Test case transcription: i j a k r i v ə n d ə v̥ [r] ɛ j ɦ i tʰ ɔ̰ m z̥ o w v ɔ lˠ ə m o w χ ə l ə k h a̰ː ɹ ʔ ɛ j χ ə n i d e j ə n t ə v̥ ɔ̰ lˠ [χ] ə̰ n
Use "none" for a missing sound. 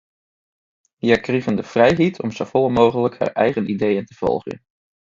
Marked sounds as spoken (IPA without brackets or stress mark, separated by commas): r, χ